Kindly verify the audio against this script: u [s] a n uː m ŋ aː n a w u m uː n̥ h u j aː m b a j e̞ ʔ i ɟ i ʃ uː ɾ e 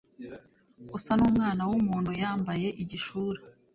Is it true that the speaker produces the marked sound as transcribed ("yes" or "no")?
yes